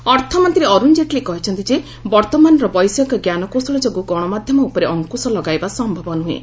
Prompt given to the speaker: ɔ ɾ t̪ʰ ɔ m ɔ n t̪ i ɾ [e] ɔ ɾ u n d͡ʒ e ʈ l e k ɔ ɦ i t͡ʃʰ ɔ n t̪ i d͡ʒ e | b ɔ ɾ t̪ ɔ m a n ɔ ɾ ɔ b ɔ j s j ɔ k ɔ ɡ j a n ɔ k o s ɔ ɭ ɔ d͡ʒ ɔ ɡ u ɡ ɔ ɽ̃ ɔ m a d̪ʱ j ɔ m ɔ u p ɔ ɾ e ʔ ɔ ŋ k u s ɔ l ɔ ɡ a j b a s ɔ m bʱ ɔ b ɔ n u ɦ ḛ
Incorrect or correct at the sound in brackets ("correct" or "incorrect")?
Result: correct